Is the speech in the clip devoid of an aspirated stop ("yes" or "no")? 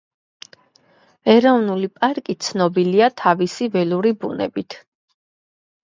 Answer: no